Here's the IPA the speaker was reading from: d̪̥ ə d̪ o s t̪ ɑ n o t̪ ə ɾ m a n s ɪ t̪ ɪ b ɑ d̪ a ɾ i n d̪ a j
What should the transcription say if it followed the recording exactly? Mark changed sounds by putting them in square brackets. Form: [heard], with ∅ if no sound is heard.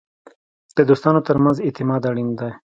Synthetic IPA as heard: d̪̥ ə d̪ o s t̪ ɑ n o t̪ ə ɾ m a n [z] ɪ t̪ ɪ [m] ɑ d̪ a [ɽ] i n d̪ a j